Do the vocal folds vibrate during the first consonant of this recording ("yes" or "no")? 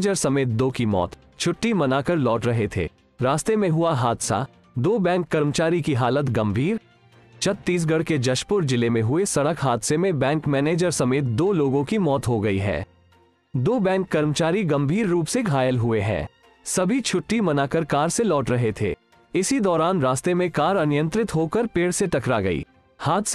yes